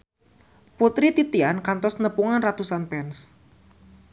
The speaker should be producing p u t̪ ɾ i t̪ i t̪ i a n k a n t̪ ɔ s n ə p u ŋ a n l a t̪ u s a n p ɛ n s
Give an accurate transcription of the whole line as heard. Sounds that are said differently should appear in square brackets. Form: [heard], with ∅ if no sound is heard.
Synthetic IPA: p u t̪ ɾ i t̪ i t̪ i a n k a n t̪ ɔ s n ə p u ŋ a n [r] a t̪ u s a n p ɛ n s